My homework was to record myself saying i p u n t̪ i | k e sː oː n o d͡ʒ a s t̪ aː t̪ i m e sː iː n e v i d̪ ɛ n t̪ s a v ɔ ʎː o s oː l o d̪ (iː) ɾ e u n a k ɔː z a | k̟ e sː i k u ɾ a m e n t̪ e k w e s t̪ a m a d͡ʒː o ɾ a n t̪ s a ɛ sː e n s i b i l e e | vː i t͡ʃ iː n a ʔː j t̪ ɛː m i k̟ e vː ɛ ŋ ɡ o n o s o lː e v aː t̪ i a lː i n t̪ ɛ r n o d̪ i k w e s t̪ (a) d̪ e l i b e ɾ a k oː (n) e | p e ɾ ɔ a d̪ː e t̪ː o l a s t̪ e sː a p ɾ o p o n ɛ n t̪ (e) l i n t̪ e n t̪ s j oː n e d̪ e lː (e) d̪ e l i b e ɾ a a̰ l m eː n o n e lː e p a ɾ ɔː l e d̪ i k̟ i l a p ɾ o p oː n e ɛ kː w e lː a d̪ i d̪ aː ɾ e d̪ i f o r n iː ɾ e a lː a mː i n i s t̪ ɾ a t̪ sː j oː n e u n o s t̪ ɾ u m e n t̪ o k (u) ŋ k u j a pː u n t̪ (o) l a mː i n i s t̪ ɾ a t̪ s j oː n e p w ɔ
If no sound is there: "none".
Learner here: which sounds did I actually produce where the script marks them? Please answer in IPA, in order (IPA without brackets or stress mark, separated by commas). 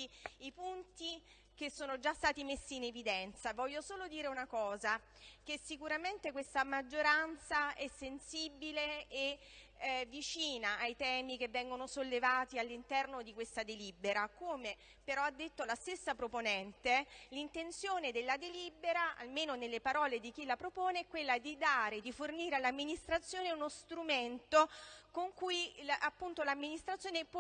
iː, a, m, e, a, o, o